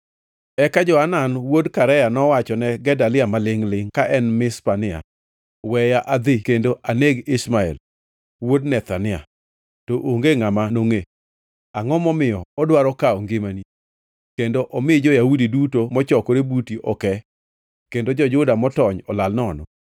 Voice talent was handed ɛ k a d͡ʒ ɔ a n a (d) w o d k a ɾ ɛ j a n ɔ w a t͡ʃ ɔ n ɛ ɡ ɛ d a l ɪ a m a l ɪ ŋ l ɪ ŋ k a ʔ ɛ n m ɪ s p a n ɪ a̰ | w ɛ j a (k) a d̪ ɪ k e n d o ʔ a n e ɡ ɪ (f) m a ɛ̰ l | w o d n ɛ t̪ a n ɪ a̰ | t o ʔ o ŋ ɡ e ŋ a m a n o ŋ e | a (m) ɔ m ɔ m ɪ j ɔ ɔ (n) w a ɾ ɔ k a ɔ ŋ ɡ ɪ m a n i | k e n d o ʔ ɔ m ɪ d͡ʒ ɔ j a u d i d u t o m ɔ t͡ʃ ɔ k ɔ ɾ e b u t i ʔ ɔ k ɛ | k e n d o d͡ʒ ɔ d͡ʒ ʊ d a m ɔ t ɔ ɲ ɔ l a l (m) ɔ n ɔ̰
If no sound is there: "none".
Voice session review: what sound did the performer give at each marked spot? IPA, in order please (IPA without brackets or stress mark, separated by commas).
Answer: n, ʔ, s, ŋ, d, n